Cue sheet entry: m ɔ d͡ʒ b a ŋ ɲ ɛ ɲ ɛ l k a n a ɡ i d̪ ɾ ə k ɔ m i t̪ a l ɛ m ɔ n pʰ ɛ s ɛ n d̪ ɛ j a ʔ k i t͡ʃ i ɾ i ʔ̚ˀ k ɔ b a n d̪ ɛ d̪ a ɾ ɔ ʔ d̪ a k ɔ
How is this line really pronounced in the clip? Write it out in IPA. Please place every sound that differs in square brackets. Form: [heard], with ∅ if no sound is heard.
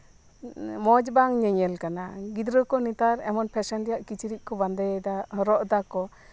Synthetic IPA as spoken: m ɔ d͡ʒ b a ŋ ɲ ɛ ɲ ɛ l k a n a ɡ i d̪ ɾ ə k ɔ [n] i t̪ a [ɾ] ɛ m ɔ n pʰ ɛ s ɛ n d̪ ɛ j a ʔ k i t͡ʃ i ɾ i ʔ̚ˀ k ɔ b a n d̪ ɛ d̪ a ɾ ɔ ʔ d̪ a k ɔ